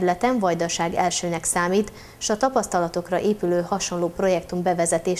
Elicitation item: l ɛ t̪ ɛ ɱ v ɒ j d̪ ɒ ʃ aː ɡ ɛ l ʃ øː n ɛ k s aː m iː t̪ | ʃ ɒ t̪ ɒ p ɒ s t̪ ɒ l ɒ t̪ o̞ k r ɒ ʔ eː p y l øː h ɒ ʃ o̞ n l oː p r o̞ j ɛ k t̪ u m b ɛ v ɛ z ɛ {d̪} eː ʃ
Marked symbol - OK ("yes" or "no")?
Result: no